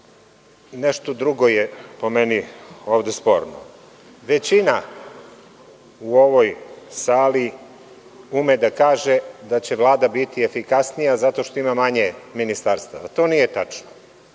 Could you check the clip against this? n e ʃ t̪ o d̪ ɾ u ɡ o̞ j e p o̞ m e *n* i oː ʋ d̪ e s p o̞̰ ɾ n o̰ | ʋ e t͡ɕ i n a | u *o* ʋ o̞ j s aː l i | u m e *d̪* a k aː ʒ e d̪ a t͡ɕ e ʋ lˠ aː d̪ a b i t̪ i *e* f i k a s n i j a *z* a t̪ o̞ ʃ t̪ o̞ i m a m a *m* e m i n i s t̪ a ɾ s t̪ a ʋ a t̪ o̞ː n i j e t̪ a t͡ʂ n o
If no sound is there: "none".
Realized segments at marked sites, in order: n, o, d̪, e, z, ɲ

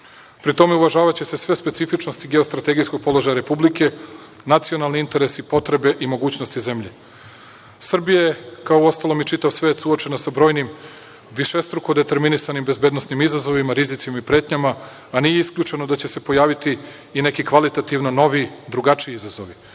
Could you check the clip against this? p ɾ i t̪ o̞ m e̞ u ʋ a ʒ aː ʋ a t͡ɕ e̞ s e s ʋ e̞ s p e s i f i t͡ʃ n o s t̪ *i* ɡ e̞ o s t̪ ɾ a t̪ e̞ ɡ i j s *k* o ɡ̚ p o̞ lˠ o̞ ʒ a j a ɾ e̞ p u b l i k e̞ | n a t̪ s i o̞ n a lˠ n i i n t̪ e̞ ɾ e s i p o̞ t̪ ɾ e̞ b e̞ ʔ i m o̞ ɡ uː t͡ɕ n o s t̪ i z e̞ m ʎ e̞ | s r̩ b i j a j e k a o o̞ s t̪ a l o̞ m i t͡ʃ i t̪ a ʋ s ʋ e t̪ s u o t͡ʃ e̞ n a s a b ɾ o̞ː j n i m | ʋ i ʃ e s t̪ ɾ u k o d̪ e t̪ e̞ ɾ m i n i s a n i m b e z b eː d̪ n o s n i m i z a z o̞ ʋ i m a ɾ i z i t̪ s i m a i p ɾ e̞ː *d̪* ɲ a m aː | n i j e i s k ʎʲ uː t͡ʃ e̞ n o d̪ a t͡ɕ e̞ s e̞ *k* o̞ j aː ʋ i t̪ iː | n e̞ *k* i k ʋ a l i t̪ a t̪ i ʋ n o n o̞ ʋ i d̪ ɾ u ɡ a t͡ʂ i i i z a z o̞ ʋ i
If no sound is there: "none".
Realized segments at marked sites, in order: i, k, t̪, p, k

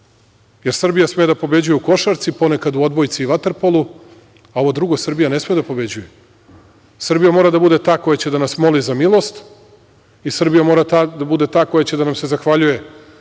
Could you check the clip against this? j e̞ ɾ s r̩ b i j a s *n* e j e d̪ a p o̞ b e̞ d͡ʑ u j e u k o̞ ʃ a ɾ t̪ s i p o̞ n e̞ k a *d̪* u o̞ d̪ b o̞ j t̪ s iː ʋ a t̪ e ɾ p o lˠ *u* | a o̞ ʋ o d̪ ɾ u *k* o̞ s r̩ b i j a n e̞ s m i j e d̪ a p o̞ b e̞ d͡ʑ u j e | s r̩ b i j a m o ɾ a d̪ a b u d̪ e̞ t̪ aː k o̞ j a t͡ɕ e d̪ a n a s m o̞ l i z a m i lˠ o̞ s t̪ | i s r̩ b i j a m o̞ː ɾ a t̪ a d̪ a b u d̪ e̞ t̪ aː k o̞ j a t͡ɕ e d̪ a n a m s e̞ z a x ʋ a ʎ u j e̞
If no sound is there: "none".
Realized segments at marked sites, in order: m, d̪, u, ɡ

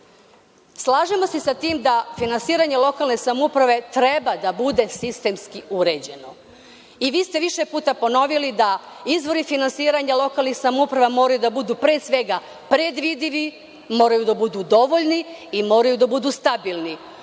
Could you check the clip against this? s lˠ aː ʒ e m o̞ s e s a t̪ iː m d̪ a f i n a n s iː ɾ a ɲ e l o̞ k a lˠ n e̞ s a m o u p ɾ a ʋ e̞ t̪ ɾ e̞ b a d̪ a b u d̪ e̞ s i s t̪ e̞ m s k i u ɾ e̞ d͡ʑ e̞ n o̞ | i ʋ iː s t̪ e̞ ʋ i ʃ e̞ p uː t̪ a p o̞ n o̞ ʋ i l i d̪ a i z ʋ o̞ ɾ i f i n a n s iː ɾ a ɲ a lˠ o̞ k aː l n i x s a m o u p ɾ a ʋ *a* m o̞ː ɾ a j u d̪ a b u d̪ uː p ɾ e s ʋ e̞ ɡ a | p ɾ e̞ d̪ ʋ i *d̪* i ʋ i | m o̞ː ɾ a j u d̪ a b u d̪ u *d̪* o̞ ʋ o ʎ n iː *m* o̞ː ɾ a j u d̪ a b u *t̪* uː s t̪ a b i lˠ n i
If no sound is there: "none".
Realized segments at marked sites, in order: a, d̪, d̪, m, d̪

